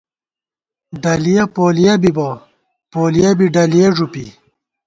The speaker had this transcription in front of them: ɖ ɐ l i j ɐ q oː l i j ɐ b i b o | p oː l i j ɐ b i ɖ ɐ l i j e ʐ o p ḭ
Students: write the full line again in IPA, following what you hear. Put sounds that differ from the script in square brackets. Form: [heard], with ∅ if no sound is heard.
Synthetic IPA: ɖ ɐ l i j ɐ [p] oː l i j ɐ b i b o | p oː l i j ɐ b i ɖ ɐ l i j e ʐ [u] p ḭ